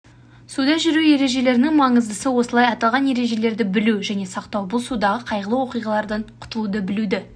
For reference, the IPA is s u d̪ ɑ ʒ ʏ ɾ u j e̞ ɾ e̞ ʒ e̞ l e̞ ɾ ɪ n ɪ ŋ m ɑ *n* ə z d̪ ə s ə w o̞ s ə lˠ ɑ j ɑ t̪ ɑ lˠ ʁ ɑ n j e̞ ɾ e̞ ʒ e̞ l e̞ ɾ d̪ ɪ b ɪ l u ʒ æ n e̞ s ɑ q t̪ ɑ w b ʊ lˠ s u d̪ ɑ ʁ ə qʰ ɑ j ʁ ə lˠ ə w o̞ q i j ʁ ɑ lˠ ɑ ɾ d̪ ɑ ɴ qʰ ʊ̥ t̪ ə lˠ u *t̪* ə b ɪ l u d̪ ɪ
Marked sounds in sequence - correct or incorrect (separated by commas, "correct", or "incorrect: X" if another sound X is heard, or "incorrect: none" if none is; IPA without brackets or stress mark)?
incorrect: ɴ, incorrect: d̪